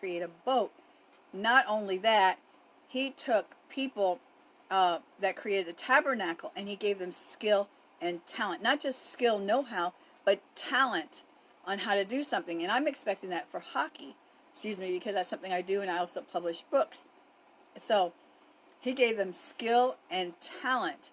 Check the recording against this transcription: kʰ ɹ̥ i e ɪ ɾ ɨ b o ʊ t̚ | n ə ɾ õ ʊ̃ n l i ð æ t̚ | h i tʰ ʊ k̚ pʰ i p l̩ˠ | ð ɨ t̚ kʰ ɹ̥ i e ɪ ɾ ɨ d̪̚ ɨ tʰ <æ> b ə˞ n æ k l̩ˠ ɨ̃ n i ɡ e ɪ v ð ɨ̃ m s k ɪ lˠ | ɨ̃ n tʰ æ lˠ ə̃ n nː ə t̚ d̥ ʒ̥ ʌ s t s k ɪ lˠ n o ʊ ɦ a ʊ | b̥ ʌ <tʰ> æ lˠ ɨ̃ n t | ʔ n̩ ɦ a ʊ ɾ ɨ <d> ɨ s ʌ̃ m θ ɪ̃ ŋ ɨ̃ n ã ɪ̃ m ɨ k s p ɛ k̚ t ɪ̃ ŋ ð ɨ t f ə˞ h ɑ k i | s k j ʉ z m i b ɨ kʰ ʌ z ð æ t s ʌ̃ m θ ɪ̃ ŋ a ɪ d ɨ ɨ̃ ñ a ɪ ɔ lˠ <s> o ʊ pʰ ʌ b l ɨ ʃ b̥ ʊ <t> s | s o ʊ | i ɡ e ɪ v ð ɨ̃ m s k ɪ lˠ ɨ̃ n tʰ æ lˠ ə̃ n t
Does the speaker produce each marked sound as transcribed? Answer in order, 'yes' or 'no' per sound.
yes, yes, yes, yes, no

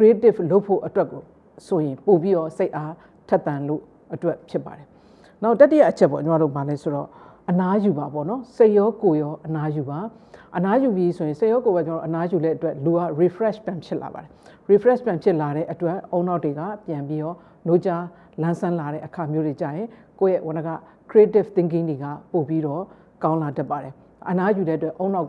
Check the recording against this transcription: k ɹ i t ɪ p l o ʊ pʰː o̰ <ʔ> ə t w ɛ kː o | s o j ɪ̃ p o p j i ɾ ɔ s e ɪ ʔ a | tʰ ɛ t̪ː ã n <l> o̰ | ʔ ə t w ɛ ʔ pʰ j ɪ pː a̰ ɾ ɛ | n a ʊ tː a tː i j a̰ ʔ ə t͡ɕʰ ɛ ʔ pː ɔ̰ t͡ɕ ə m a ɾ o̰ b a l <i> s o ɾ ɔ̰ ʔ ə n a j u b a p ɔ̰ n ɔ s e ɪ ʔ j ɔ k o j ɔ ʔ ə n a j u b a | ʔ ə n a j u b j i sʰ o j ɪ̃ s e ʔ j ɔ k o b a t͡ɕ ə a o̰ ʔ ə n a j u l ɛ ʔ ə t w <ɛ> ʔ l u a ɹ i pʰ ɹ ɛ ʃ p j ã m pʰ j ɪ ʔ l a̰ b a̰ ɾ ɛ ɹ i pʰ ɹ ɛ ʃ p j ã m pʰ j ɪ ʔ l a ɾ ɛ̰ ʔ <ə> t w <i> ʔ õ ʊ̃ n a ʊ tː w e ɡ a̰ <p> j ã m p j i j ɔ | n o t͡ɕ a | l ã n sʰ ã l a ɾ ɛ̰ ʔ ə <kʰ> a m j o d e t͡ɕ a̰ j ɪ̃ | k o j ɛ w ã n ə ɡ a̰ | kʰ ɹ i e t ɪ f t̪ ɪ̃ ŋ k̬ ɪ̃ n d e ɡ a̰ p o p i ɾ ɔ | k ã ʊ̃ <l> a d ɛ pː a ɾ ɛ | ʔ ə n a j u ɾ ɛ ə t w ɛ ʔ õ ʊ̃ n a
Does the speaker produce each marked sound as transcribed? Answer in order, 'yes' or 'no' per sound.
yes, yes, no, yes, yes, no, yes, yes, yes

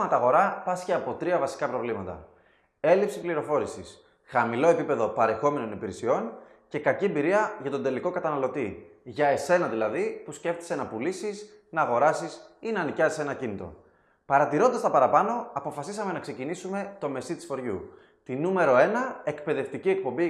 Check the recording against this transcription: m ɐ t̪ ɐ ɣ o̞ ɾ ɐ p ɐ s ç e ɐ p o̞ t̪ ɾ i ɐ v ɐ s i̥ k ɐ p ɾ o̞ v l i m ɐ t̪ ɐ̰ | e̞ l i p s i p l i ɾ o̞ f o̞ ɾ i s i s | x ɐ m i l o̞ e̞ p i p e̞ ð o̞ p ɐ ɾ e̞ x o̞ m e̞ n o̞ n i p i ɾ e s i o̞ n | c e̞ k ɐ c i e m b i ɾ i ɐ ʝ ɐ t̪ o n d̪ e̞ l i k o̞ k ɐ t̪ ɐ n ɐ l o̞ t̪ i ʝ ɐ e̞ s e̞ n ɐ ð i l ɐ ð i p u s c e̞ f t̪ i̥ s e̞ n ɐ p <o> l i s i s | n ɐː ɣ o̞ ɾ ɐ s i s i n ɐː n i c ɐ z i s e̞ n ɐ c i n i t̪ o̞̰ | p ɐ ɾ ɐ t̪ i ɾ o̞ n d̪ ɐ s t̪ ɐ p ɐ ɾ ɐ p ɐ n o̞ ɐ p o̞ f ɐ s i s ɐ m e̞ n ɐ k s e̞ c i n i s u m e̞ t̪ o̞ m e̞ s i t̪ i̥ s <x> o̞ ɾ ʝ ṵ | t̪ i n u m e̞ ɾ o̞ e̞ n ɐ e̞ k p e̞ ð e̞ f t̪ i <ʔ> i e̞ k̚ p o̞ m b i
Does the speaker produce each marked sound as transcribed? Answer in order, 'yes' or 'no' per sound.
no, no, no

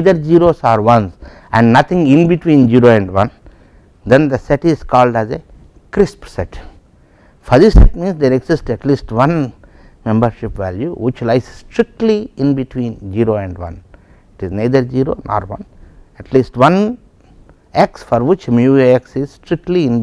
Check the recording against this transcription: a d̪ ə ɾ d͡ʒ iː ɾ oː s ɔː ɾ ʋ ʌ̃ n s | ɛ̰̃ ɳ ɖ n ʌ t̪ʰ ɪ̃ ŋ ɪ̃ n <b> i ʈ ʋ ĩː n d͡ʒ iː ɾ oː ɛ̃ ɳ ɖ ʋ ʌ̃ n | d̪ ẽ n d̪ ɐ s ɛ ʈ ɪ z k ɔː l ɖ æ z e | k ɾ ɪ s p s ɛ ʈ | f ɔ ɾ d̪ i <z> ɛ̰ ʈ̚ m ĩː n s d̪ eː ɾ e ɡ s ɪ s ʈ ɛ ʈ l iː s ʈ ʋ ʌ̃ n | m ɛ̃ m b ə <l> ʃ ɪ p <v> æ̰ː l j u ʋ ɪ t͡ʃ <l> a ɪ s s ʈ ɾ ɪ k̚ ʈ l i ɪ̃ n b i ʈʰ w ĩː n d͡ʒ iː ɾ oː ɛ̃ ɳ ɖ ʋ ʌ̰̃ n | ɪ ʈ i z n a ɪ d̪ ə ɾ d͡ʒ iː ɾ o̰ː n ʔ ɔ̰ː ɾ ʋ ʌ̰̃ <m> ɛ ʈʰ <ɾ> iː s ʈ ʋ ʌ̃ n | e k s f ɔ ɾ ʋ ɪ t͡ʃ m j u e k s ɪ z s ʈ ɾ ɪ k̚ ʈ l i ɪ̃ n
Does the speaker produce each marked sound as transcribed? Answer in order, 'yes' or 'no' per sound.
yes, no, no, no, yes, no, no

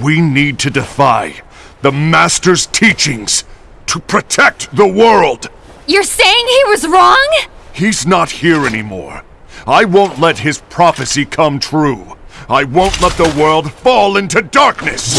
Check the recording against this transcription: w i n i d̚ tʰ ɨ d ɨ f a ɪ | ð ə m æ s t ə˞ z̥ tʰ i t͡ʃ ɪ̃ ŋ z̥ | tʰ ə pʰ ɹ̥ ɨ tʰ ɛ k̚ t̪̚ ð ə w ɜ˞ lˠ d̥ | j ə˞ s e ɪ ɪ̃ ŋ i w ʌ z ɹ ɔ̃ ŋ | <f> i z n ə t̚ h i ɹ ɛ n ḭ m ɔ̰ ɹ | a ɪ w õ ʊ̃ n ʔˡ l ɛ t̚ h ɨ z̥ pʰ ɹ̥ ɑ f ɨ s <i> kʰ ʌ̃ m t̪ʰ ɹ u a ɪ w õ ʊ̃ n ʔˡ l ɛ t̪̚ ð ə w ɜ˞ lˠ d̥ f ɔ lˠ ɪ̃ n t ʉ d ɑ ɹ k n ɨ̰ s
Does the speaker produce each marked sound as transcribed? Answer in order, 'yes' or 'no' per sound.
no, yes

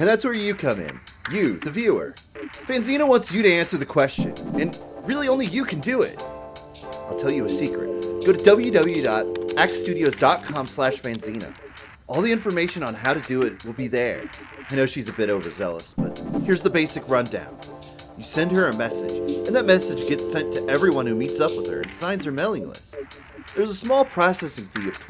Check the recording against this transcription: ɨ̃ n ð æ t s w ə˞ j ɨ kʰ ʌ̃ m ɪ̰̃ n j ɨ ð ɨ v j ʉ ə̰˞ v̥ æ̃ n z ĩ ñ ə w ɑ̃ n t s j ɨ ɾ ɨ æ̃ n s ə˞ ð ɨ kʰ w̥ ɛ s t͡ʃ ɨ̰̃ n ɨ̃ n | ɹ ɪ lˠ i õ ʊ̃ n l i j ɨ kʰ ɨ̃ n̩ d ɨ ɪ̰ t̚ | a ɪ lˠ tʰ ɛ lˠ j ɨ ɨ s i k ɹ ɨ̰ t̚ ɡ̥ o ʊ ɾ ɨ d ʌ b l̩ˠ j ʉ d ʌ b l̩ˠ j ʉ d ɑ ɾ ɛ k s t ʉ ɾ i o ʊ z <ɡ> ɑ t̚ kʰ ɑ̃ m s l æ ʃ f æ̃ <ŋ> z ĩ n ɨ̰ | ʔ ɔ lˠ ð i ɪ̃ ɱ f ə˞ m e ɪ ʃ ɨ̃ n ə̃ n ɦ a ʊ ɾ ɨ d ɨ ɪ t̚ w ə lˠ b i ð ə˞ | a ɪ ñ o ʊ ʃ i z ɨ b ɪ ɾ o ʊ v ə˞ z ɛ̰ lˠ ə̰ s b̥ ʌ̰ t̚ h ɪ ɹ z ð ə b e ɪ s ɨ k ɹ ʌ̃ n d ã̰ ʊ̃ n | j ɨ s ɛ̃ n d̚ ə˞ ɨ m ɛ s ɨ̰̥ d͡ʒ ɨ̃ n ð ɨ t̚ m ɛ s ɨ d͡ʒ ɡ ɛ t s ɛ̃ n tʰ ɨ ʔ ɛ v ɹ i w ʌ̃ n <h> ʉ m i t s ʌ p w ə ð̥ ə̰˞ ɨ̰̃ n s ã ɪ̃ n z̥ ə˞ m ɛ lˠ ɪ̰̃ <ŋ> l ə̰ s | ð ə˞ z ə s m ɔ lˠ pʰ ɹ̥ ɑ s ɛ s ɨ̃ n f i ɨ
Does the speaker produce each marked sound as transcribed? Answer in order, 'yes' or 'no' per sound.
no, no, yes, yes

